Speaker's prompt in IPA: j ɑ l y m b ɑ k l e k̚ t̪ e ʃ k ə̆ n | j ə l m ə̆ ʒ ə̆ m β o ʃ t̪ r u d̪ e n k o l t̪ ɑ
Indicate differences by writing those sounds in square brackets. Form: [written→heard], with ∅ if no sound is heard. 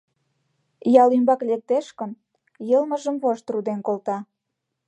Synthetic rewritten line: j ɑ l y m b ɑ k l e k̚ t̪ e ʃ k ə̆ n | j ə l m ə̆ ʒ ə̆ m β o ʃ t̪ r u d̪ e n k o l t̪ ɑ

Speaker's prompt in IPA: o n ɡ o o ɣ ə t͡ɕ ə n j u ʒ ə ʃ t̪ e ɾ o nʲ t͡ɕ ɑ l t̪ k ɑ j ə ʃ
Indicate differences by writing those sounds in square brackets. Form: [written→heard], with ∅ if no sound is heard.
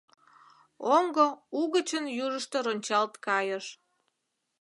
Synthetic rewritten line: o [n→ŋ] ɡ o [o→u] ɣ ə t͡ɕ ə n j u ʒ ə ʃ t̪ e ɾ o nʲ t͡ɕ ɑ l t̪ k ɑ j ə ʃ

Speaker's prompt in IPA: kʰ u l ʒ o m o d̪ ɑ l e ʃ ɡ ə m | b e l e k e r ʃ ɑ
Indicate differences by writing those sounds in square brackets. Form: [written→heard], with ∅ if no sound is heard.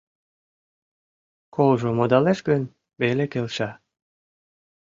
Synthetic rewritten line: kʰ [u→o] l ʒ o m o d̪ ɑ l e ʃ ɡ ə [m→n] | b e l e k e [r→l] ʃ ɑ

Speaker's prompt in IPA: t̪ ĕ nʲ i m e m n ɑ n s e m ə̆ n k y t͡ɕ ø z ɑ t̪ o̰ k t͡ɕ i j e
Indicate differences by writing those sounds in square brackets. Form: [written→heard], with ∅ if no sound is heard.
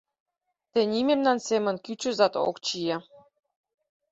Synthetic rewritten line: t̪ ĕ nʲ i m e m n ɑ n s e m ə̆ n k y t͡ɕ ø z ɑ t̪ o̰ k t͡ɕ i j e

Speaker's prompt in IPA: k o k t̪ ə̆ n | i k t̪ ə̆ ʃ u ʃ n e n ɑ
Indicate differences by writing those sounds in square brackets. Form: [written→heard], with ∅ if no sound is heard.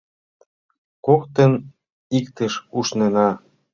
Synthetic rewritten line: k o k t̪ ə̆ n | i k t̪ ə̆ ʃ u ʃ n e n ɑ

